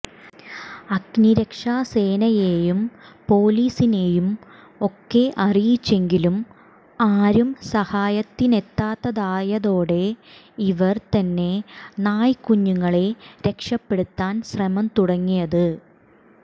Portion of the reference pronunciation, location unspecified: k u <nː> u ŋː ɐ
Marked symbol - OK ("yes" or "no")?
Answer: no